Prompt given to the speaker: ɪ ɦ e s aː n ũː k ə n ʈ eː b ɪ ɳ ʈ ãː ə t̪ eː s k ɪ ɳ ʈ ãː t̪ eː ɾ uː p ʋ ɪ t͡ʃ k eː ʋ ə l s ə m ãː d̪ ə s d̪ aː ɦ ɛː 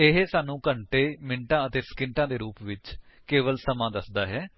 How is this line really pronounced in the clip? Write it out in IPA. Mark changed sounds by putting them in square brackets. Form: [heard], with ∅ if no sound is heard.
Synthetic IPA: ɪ ɦ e s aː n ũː k ə [ɳ] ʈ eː [m] ɪ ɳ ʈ ãː ə t̪ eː s k ɪ ɳ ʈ ãː [d̪] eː ɾ uː p ʋ ɪ t͡ʃ k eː ʋ ə l s ə m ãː d̪ ə s d̪ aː ɦ ɛː